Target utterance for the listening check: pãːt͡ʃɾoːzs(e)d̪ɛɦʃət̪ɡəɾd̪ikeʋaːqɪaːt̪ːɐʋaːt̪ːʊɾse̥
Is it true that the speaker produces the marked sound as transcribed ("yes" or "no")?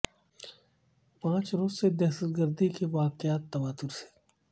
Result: yes